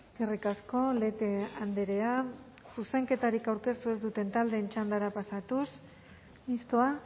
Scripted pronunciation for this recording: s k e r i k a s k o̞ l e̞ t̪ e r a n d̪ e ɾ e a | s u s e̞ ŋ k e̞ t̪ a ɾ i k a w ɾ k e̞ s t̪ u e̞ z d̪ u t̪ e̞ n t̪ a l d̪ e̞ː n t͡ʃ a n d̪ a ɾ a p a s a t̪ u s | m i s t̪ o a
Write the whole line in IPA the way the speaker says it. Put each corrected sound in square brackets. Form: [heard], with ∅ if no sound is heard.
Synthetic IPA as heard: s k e r i k a s k o̞ l e̞ t̪ e [∅] a n d̪ e ɾ e a | s u s e̞ ŋ k e̞ t̪ a ɾ i k a w ɾ k e̞ s t̪ u e̞ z d̪ u t̪ e̞ n t̪ a l d̪ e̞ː n t͡ʃ a n d̪ a ɾ a p a s a t̪ u s | m i s t̪ o a

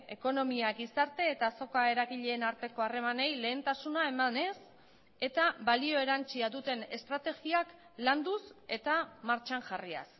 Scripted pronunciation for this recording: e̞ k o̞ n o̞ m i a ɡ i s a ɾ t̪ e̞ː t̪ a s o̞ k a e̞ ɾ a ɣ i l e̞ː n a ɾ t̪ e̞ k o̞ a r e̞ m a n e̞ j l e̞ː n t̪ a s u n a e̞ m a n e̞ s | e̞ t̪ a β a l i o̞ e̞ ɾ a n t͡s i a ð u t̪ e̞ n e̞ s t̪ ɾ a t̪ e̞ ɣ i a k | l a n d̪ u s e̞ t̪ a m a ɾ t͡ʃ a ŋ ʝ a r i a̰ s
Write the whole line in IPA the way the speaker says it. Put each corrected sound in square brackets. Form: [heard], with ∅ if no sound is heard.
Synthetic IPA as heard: e̞ k o̞ n o̞ m i a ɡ i s a ɾ t̪ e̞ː t̪ a s o̞ k a e̞ ɾ a ɣ i [ʎ] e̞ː n a ɾ t̪ e̞ k o̞ a r e̞ m a n e̞ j l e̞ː n t̪ a s u n a e̞ m a n e̞ s | e̞ t̪ a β a l i o̞ e̞ ɾ a n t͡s i a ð u t̪ e̞ n e̞ s t̪ ɾ a t̪ e̞ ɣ i a k | l a n d̪ u s e̞ t̪ a m a ɾ t͡ʃ a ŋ ʝ a r i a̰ s

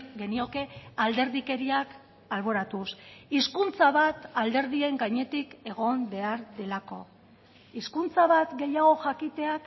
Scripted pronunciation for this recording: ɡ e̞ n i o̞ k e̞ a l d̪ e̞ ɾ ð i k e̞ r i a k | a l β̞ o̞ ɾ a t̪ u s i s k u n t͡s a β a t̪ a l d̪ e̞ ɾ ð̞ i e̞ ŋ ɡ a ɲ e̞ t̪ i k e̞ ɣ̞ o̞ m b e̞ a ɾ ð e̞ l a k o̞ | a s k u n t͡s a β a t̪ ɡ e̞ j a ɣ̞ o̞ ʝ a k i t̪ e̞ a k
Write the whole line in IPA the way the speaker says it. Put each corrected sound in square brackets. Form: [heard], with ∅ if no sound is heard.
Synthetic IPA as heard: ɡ e̞ n i o̞ k e̞ a l d̪ e̞ ɾ ð i k e̞ [ɾ] i a k | a l β̞ o̞ ɾ a t̪ u s i s k u n t͡s a β a t̪ a l d̪ e̞ ɾ ð̞ i e̞ ŋ ɡ a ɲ e̞ t̪ i k e̞ ɣ̞ o̞ m b e̞ a ɾ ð e̞ l a k o̞ | [i] s k u n t͡s a β a t̪ ɡ e̞ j a ɣ̞ o̞ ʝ a k i t̪ e̞ a k

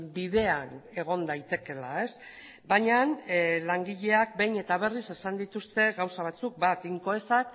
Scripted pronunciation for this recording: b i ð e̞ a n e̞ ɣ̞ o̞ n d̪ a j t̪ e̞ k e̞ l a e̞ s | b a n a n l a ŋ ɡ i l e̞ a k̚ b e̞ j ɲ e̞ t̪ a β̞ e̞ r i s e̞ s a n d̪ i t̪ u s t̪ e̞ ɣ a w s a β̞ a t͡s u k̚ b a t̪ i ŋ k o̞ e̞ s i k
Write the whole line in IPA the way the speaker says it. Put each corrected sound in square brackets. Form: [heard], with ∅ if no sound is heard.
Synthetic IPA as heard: b i ð e̞ a n e̞ ɣ̞ o̞ n d̪ a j t̪ e̞ k e̞ l a e̞ s | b a [ɲ] a n l a ŋ ɡ i [ʎ] e̞ a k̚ b e̞ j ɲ e̞ t̪ a β̞ e̞ r i s e̞ s a n d̪ i t̪ u s t̪ e̞ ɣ a w s a β̞ a t͡s u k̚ b a t̪ i ŋ k o̞ e̞ s [a] k

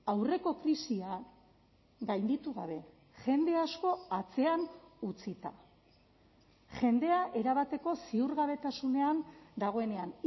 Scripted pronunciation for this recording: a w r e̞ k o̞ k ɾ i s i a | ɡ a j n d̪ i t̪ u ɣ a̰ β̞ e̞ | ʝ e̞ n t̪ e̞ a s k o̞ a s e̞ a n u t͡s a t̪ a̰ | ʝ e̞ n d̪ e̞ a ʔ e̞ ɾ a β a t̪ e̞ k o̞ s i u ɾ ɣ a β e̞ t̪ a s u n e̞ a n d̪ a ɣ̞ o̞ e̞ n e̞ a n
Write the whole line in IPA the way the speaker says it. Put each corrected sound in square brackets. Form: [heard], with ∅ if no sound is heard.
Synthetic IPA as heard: a w r e̞ k o̞ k ɾ i s i a | ɡ a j n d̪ i t̪ u ɣ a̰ β̞ e̞ | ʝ e̞ n [d̪] e̞ a s k o̞ a [t͡s] e̞ a n u t͡s [i] t̪ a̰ | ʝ e̞ n d̪ e̞ a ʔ e̞ ɾ a β a t̪ e̞ k o̞ s i u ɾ ɣ a β e̞ t̪ a s u n e̞ a n d̪ a ɣ̞ o̞ e̞ n e̞ a n

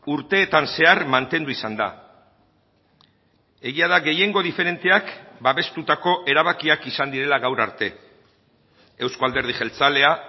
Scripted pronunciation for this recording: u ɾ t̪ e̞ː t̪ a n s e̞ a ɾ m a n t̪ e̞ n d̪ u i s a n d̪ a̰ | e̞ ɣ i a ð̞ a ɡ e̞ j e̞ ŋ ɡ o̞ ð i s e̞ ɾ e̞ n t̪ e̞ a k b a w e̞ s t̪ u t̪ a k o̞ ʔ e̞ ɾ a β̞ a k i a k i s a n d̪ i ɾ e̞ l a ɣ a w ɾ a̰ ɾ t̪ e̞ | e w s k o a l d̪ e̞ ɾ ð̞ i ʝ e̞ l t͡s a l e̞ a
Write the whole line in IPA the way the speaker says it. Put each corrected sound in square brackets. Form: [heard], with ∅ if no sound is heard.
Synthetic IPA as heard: u ɾ t̪ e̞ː t̪ a n s e̞ a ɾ m a n t̪ e̞ n d̪ u i s a n d̪ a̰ | e̞ ɣ i a ð̞ a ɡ e̞ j e̞ ŋ ɡ o̞ ð i [f] e̞ ɾ e̞ n t̪ e̞ a k b a [β] e̞ s t̪ u t̪ a k o̞ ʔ e̞ ɾ a β̞ a k i a k i s a n d̪ i ɾ e̞ l a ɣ a w ɾ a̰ ɾ t̪ e̞ | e w s k o a l d̪ e̞ ɾ ð̞ i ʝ e̞ l t͡s a l e̞ a

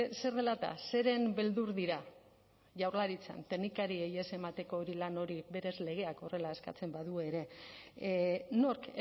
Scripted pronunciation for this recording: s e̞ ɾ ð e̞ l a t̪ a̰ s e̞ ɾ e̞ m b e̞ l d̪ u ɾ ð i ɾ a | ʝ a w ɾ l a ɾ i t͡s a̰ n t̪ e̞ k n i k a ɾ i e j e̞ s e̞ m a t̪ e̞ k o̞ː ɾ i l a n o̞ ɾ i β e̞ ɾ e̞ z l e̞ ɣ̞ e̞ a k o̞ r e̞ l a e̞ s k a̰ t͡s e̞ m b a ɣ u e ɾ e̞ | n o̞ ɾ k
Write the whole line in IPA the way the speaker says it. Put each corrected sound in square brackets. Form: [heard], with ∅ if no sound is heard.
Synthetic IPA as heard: s e̞ ɾ ð e̞ l a t̪ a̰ s e̞ ɾ e̞ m b e̞ l d̪ u ɾ ð i ɾ a | ʝ a w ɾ l a ɾ i t͡s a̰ n t̪ e̞ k n i k a ɾ i e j e̞ s e̞ m a t̪ e̞ k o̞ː ɾ i l a n o̞ ɾ i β e̞ ɾ e̞ z l e̞ ɣ̞ e̞ a k o̞ r e̞ l a e̞ s k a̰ t͡s e̞ m b a [ð] u e ɾ e̞ | n o̞ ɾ k

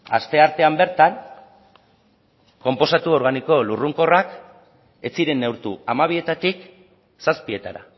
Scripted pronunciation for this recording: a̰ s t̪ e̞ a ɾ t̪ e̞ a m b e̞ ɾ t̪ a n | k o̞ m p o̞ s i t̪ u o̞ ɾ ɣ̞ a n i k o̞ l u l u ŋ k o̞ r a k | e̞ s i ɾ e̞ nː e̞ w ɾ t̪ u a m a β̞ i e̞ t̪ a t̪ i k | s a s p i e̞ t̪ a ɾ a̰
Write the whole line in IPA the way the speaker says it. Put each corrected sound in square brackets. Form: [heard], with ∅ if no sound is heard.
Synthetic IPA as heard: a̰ s t̪ e̞ a ɾ t̪ e̞ a m b e̞ ɾ t̪ a n | k o̞ m p o̞ s [a] t̪ u o̞ ɾ ɣ̞ a n i k o̞ l u [r] u ŋ k o̞ r a k | e̞ [t͡s] i ɾ e̞ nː e̞ w ɾ t̪ u a m a β̞ i e̞ t̪ a t̪ i k | s a s p i e̞ t̪ a ɾ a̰

